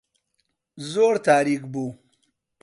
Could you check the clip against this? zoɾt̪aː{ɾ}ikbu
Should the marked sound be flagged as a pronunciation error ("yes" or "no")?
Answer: no